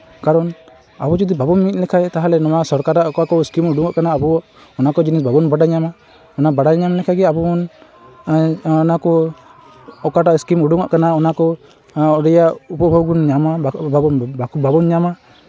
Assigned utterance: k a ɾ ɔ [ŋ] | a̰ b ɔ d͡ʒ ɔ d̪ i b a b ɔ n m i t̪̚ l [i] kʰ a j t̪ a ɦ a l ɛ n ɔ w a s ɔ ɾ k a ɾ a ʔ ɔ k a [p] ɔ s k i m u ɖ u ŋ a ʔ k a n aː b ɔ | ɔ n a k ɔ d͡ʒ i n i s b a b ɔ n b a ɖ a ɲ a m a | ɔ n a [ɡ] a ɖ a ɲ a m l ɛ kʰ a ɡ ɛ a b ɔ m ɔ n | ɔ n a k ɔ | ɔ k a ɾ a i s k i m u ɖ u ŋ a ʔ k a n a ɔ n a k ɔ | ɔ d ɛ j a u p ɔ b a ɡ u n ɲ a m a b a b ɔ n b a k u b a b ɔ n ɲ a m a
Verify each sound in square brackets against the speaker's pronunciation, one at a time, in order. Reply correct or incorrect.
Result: incorrect, incorrect, incorrect, incorrect

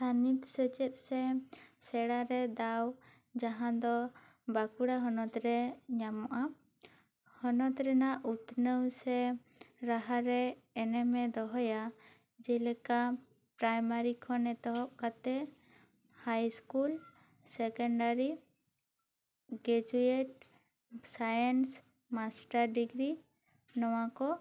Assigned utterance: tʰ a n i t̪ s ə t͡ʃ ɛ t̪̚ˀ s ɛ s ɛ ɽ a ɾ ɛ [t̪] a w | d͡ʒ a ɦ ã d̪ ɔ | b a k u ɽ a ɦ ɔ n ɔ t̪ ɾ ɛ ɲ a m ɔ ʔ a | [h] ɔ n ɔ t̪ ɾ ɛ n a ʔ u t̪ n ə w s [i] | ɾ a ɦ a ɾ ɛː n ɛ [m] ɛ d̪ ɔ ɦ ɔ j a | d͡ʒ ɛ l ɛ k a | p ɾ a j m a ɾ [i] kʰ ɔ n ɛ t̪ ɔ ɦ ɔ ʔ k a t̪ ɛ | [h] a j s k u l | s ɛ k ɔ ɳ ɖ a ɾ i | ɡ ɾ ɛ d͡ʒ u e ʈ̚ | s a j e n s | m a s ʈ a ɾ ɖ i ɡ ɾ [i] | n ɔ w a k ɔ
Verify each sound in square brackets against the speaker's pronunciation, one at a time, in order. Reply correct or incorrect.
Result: incorrect, correct, incorrect, correct, correct, correct, correct

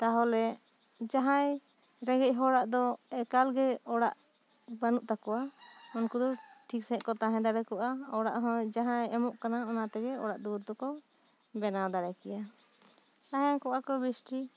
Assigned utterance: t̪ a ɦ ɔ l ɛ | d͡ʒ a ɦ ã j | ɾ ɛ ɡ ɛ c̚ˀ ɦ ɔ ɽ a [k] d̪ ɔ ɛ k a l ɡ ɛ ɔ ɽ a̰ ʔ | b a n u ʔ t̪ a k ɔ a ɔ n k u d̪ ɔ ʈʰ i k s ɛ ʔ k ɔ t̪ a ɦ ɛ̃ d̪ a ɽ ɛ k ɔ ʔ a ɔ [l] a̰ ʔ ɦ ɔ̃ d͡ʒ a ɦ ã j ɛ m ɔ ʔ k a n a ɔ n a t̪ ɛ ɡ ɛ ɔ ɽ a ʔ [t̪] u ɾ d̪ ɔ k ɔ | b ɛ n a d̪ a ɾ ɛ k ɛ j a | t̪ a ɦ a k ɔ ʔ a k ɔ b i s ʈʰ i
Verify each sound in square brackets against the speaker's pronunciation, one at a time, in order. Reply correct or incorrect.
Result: incorrect, incorrect, incorrect

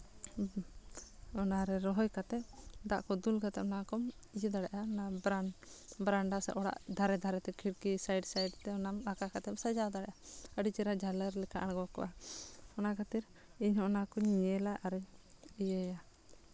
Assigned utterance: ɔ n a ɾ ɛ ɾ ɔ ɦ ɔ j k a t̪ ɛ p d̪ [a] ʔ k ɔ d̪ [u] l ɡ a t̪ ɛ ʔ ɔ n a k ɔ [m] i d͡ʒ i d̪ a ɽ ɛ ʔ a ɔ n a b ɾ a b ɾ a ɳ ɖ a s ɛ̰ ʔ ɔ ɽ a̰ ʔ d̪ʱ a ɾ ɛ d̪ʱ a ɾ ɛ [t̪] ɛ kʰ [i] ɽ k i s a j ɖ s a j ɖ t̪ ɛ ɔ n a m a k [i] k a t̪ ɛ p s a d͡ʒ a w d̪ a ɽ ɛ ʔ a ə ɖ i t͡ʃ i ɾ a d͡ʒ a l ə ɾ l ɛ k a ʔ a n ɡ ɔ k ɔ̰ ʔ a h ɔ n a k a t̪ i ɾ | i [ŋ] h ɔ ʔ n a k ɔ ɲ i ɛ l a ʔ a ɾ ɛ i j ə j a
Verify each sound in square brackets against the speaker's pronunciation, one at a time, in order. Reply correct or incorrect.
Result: correct, correct, correct, correct, correct, incorrect, incorrect

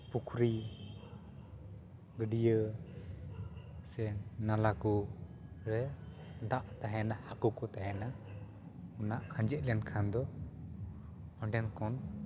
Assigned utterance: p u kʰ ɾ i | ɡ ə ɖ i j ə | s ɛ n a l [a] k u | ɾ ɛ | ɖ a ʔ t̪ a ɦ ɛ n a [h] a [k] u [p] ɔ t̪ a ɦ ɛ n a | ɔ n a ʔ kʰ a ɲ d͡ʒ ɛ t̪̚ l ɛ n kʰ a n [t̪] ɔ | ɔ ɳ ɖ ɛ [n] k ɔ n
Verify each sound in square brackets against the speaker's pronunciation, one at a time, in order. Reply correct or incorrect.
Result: correct, correct, correct, incorrect, incorrect, correct

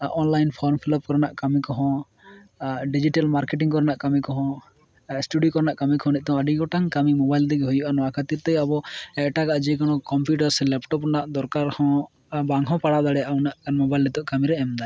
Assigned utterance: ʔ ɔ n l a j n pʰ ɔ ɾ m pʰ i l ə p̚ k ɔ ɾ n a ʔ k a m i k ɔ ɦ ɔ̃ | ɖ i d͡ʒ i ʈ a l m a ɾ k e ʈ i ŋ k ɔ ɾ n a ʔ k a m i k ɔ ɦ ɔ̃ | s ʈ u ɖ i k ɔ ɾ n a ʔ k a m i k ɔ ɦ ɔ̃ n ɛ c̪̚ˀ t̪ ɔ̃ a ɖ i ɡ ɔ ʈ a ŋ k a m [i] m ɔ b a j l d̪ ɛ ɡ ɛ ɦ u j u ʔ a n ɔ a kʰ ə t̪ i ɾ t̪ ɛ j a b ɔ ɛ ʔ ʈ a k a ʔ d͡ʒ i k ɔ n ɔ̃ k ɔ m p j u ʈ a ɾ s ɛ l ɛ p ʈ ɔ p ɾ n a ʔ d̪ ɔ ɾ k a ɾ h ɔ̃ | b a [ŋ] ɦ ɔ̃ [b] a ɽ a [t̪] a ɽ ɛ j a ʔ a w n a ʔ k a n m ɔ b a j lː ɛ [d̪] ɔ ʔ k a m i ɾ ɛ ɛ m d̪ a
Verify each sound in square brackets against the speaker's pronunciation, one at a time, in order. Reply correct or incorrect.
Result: correct, correct, incorrect, incorrect, incorrect

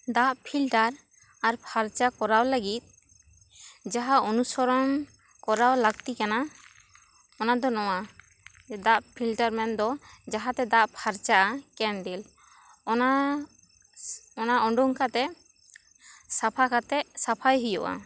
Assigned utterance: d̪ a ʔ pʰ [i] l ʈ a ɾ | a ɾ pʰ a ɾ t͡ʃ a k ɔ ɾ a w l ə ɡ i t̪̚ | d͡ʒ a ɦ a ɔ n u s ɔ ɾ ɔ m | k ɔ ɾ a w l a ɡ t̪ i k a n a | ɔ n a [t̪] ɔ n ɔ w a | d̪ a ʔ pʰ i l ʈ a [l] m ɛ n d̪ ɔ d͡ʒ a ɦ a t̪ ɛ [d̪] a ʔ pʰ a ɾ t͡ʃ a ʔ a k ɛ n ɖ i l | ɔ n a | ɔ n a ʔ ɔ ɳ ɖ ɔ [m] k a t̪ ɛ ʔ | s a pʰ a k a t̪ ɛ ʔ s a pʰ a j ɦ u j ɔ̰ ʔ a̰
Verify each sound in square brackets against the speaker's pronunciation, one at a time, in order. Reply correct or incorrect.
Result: correct, incorrect, incorrect, correct, incorrect

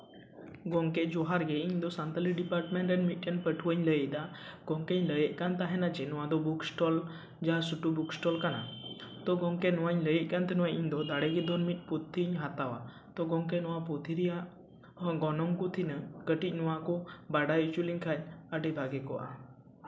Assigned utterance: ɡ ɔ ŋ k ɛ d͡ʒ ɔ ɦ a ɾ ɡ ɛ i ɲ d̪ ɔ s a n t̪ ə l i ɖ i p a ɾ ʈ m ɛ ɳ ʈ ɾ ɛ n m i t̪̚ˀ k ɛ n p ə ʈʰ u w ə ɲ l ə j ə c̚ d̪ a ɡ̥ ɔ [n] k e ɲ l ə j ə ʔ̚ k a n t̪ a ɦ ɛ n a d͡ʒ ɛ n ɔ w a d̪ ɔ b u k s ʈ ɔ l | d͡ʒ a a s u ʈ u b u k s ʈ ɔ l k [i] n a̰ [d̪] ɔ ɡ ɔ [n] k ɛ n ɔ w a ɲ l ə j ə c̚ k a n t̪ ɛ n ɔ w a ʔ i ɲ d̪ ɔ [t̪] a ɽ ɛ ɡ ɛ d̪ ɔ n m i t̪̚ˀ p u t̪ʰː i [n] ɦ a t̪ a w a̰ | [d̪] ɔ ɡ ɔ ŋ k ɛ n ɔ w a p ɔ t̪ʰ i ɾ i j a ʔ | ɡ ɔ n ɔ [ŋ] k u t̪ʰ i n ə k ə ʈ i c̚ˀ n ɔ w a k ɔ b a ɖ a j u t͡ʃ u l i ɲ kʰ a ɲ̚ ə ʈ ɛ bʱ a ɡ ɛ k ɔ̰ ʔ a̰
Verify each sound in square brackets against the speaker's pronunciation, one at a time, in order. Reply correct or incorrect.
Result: incorrect, incorrect, incorrect, incorrect, incorrect, incorrect, incorrect, correct

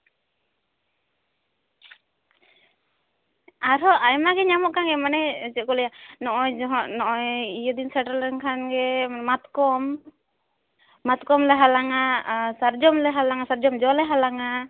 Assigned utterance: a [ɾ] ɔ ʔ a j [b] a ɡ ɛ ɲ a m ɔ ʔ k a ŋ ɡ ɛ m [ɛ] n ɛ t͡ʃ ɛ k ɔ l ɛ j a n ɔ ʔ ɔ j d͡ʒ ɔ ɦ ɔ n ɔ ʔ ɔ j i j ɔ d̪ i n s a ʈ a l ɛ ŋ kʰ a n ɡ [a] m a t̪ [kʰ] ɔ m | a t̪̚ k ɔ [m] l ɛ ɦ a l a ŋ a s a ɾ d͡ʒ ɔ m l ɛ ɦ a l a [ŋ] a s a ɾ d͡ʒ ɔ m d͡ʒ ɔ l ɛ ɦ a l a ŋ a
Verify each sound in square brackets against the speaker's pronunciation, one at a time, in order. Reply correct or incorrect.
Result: correct, incorrect, incorrect, incorrect, incorrect, correct, correct

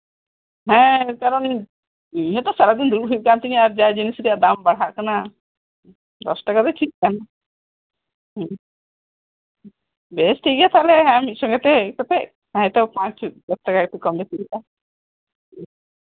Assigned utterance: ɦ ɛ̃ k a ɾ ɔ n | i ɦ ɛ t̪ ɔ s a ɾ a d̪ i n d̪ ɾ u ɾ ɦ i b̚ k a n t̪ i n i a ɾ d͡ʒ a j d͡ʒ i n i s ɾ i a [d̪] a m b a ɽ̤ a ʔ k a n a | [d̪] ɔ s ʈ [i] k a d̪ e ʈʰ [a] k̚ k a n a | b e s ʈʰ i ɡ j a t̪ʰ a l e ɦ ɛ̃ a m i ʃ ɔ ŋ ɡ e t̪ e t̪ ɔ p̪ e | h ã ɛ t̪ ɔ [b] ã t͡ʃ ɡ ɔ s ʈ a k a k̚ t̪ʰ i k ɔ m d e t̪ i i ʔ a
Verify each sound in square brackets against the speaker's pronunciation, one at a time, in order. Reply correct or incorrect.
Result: correct, correct, incorrect, incorrect, incorrect

